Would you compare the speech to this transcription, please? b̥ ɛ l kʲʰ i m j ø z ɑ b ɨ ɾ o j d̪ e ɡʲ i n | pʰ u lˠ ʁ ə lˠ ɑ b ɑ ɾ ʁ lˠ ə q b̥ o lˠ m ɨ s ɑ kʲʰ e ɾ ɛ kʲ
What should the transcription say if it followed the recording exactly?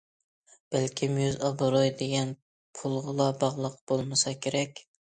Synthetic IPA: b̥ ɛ l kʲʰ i m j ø z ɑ b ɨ ɾ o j d̪ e ɡʲ ɛ n | pʰ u lˠ ʁ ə lˠ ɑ b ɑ ʁ lˠ ə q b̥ o lˠ m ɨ s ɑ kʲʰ e ɾ ɛ kʲ